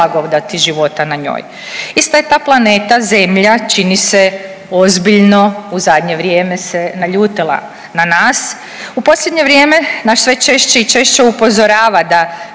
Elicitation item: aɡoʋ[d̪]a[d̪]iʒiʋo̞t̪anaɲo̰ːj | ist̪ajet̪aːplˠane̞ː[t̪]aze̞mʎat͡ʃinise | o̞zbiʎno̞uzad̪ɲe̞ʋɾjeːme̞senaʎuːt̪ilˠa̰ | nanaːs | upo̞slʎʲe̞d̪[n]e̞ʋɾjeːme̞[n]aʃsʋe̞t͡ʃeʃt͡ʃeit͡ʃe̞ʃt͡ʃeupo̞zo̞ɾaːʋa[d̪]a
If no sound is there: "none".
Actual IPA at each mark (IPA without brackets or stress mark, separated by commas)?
d̪, t̪, t̪, ɲ, n, d̪